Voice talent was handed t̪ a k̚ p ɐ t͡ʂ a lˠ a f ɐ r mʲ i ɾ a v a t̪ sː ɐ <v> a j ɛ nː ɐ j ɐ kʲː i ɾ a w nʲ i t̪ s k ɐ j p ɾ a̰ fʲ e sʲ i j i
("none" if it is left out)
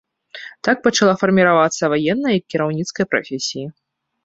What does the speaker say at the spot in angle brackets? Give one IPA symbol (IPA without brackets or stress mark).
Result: v